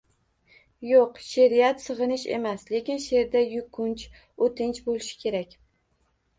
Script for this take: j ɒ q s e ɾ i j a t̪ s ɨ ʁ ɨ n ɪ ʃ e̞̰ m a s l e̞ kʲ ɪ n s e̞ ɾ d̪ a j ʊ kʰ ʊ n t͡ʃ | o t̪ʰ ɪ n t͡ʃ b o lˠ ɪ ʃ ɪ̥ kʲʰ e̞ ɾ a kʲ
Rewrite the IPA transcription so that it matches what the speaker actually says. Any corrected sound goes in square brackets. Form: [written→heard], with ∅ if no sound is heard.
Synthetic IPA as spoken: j [ɒ→o] q [s→ʃ] e ɾ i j a t̪ s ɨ ʁ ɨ n ɪ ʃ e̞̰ m a s l e̞ kʲ ɪ n [s→ʃ] e̞ ɾ d̪ a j ʊ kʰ ʊ n t͡ʃ | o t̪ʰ ɪ n t͡ʃ b o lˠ ɪ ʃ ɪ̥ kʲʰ e̞ ɾ a kʲ